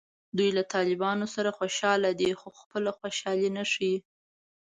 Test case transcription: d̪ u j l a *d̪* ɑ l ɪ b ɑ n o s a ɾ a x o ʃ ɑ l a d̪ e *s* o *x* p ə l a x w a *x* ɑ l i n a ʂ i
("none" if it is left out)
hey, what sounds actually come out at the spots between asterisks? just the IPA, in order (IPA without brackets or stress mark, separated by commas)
t̪, x, x, ʃ